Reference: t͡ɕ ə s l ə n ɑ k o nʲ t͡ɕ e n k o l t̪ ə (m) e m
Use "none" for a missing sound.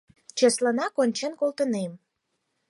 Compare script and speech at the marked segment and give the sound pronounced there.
n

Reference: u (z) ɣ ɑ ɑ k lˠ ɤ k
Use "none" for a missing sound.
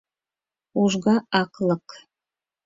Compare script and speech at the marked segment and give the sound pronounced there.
ʒ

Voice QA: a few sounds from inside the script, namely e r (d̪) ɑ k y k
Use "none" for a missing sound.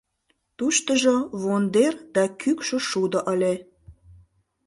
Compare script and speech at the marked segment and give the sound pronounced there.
d̪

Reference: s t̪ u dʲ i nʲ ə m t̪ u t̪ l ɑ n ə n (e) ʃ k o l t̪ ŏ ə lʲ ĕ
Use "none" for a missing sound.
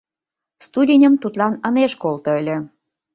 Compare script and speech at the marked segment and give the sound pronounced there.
e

